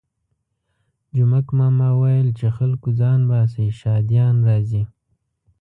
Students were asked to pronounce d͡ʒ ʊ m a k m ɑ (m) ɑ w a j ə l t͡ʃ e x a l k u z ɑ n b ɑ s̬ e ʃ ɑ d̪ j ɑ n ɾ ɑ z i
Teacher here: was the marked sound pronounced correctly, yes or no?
yes